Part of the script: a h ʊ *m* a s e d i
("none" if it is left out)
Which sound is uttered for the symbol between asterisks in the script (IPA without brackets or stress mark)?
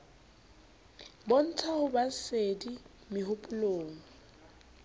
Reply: b